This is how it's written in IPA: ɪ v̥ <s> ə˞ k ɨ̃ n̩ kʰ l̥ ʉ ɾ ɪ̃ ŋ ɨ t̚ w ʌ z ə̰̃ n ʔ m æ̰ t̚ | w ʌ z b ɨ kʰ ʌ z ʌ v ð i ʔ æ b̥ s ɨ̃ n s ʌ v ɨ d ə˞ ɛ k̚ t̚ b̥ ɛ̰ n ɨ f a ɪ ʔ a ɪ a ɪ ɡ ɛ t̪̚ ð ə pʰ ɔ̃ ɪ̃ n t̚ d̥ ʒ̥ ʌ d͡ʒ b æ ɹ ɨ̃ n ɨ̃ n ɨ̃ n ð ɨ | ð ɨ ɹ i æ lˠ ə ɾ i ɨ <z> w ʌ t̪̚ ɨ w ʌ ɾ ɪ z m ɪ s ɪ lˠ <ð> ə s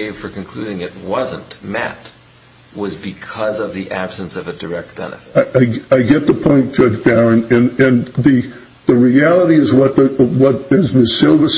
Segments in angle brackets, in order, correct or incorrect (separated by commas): incorrect, correct, incorrect